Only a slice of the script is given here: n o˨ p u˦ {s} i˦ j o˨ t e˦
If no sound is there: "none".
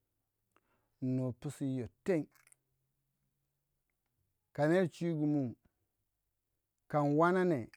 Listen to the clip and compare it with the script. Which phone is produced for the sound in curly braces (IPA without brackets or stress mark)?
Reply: s